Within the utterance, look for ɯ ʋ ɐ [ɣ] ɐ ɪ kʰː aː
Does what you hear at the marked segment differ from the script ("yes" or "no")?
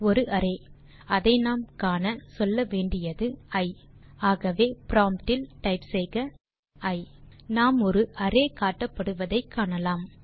yes